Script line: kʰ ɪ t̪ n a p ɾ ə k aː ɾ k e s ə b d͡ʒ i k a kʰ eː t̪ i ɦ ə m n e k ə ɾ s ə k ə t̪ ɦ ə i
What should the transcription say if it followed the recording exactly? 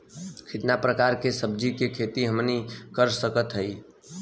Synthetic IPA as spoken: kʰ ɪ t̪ n a p ɾ ə k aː ɾ k e s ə b d͡ʒ i k e kʰ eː t̪ i ɦ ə m n i k ə ɾ s ə k ə t̪ ɦ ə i